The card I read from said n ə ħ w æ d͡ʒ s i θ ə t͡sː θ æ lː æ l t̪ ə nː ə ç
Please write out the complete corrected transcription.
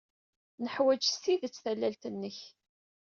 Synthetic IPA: n ə ħ w æ d͡ʒ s i ð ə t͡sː θ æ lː æ l t̪ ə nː ə ç